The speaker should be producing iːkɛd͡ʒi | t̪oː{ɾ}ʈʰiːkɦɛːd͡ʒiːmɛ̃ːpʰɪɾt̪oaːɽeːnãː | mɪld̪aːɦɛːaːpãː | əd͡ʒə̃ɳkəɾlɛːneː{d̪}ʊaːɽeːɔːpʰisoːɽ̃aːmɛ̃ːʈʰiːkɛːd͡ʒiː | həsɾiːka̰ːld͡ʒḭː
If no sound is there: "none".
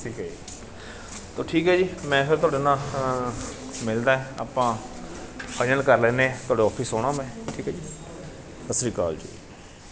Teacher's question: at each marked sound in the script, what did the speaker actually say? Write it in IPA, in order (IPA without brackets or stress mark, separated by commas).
none, t̪